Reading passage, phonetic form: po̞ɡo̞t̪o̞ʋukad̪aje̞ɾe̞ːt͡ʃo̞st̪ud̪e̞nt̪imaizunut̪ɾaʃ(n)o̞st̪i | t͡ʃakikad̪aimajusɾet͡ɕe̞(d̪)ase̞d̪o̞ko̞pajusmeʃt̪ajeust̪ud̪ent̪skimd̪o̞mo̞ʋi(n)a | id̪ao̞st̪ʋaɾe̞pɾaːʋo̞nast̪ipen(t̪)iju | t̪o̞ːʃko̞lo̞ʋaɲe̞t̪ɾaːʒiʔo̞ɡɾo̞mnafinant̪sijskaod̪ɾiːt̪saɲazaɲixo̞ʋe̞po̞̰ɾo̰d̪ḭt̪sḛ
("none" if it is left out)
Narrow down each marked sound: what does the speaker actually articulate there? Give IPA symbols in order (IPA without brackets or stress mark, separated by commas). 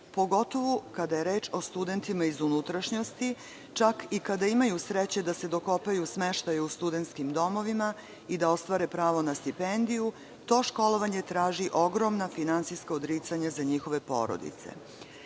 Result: ɲ, d̪, m, d̪